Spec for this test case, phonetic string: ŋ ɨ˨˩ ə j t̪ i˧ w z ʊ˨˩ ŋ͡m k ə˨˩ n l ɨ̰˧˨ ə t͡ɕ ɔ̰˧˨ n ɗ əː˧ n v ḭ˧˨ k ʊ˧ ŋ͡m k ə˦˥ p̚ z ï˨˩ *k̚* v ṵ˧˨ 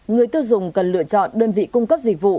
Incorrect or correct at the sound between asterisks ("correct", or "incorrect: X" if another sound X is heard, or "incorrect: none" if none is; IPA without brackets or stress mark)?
correct